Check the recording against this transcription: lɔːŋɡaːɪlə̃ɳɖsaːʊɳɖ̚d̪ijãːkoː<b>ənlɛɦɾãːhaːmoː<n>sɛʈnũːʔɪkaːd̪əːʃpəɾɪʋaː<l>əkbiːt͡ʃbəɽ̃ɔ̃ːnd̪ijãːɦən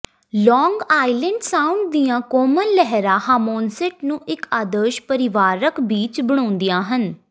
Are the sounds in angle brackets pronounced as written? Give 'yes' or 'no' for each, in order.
no, yes, no

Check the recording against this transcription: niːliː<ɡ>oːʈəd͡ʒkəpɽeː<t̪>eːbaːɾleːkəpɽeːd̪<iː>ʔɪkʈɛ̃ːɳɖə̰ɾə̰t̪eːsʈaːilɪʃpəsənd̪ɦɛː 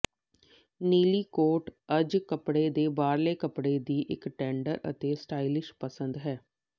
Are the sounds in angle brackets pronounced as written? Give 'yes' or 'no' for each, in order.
no, no, yes

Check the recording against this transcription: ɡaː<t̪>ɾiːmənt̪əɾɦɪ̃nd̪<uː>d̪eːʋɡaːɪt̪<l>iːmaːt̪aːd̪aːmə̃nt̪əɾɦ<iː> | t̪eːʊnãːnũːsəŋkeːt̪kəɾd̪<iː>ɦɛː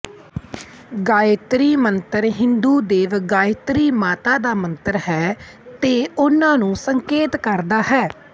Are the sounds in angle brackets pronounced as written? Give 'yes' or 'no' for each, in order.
yes, yes, no, no, no

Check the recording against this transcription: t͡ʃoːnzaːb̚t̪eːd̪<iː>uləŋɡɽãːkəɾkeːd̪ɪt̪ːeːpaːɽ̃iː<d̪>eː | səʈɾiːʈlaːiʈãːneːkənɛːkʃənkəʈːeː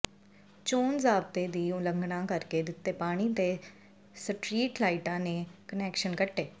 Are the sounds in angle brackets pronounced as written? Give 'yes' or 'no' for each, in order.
yes, no

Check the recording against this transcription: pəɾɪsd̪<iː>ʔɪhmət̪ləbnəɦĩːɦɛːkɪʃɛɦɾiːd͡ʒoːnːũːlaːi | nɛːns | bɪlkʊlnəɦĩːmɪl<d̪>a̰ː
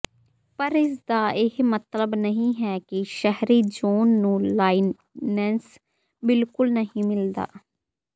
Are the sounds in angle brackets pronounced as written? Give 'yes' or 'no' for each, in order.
no, yes

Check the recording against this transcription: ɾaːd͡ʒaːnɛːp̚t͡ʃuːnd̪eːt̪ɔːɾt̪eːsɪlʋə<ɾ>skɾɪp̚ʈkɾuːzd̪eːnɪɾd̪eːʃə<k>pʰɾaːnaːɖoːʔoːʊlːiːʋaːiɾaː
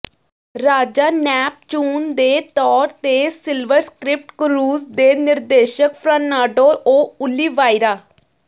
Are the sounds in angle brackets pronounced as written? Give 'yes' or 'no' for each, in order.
yes, yes

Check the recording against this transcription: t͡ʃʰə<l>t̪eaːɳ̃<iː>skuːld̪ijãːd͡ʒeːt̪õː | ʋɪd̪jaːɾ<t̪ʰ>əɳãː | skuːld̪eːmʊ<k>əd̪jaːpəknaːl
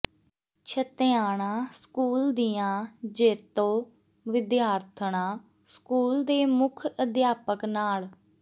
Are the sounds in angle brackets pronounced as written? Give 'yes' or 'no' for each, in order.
no, no, yes, no

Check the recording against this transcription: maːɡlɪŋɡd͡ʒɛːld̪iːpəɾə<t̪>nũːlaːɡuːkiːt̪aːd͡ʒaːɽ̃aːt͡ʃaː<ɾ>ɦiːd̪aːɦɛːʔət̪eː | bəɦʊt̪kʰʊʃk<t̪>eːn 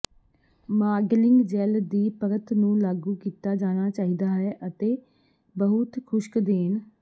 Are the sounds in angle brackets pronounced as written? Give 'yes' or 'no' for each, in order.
yes, no, no

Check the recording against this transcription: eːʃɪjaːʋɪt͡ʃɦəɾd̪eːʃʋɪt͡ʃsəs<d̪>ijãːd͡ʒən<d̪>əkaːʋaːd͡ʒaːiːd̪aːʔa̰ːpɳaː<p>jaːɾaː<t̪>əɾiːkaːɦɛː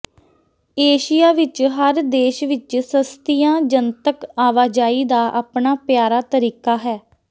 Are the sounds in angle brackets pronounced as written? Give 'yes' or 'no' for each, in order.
no, no, yes, yes

